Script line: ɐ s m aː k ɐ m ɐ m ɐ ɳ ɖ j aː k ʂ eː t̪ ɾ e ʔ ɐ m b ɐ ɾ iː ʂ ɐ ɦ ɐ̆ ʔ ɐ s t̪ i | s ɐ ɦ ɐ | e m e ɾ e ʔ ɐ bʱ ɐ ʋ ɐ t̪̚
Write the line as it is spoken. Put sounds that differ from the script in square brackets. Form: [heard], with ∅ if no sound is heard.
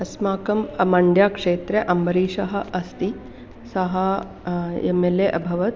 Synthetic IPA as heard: ɐ s m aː k ɐ m ɐ m ɐ ɳ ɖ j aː k ʂ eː t̪ ɾ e ʔ ɐ m b ɐ ɾ iː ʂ ɐ ɦ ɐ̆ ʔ ɐ s t̪ i | s ɐ ɦ ɐ | e m e [l] e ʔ ɐ bʱ ɐ ʋ ɐ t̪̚